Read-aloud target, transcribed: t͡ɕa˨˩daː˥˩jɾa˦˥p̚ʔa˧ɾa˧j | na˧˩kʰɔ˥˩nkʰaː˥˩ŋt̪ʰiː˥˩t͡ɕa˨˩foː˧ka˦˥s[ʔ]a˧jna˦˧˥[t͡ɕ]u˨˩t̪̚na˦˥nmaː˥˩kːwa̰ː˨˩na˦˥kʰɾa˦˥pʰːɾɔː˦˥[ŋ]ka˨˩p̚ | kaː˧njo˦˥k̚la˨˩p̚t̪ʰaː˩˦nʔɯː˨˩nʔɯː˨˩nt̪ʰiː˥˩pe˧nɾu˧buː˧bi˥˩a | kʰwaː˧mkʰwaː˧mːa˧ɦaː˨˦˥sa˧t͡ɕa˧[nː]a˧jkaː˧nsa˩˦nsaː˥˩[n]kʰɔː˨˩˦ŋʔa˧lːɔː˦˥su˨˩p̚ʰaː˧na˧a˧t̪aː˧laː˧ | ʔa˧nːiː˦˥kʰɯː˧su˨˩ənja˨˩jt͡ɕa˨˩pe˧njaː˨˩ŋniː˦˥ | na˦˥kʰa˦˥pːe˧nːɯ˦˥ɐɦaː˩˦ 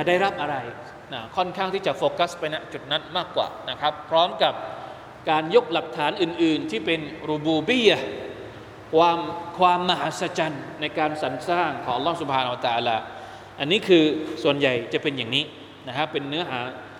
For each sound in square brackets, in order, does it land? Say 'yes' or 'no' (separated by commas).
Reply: no, yes, no, yes, no